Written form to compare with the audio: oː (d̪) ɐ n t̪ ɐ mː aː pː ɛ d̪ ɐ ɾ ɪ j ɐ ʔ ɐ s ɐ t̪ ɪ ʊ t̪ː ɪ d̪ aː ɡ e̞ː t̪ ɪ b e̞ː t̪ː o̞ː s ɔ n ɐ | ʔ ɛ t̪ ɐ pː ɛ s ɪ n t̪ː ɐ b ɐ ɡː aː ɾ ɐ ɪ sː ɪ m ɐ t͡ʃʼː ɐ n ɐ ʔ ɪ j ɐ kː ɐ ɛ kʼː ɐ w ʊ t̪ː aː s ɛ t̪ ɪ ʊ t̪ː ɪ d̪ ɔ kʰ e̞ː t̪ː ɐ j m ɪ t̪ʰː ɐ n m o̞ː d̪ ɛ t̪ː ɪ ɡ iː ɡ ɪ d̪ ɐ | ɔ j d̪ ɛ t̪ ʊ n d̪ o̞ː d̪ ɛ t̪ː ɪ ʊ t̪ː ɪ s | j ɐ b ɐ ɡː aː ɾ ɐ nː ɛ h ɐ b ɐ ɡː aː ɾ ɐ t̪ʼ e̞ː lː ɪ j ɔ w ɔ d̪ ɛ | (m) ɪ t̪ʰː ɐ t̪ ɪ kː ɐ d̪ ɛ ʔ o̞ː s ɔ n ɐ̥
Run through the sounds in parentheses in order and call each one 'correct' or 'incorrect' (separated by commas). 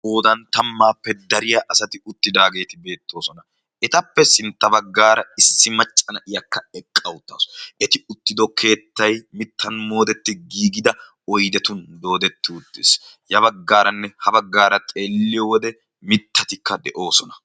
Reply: correct, correct